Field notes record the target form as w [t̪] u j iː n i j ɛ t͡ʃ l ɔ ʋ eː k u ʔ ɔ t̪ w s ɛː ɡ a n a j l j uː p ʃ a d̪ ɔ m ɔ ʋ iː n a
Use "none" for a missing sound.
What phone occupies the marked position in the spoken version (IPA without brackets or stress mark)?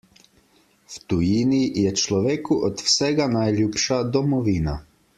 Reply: t̪